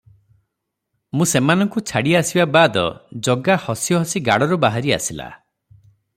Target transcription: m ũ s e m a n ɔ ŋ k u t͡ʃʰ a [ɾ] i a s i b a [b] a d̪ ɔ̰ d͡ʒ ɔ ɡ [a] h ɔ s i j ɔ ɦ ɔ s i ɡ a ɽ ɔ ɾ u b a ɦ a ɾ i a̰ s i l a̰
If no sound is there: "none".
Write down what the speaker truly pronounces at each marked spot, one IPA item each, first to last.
ɽ, b, a

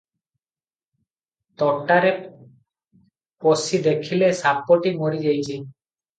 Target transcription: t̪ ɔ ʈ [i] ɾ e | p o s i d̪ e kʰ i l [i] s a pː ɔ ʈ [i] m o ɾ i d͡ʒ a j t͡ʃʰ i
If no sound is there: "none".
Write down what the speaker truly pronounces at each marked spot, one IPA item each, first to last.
a, e, i

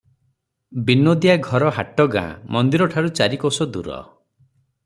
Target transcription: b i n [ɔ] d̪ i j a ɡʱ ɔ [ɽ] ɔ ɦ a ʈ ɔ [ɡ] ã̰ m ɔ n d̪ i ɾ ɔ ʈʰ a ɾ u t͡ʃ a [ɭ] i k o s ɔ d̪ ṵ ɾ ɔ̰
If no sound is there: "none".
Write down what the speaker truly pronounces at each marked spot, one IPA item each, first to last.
o, ɾ, ɡ, ɾ

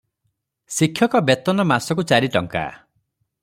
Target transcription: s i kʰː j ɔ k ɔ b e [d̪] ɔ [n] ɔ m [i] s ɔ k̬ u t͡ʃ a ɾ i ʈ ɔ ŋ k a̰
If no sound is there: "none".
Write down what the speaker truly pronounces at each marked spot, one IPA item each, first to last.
t̪, n, a

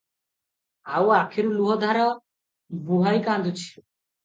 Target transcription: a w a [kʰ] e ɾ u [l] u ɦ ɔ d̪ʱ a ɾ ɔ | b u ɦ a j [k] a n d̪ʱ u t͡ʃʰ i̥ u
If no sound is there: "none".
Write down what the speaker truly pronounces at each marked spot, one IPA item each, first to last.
kʰ, l, k

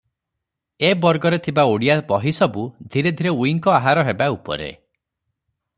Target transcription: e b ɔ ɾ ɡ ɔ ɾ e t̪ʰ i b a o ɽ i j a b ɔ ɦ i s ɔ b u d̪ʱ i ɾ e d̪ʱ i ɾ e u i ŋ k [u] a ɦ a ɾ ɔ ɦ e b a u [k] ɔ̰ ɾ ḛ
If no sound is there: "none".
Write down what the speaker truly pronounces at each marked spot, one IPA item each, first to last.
ɔ, p

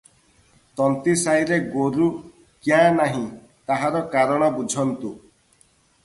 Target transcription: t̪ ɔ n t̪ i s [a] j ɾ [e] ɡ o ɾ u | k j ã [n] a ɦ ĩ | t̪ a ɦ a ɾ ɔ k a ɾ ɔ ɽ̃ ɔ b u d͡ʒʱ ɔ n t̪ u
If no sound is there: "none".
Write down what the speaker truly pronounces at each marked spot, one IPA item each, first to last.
a, e, n

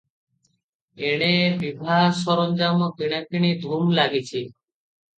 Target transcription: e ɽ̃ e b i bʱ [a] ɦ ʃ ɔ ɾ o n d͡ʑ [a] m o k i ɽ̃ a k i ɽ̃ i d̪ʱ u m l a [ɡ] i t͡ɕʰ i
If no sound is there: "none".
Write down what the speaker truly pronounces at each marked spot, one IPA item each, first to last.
a, a, ɡ

